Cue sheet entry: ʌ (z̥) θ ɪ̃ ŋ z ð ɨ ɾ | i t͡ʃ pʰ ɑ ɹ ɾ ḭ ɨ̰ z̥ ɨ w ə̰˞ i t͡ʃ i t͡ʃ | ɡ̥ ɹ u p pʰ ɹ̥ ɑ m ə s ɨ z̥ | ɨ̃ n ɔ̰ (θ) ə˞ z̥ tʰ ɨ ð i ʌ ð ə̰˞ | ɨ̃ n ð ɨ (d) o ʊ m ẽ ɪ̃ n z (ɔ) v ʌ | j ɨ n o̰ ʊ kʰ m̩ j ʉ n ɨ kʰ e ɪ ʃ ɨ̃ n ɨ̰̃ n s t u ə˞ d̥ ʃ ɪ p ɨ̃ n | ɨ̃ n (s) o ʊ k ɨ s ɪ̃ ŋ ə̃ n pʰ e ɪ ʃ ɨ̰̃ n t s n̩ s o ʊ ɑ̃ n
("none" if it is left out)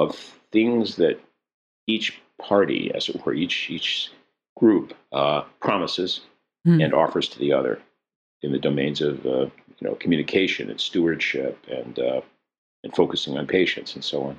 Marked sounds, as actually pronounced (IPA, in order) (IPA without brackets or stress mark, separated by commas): v̥, f, d, ʌ, f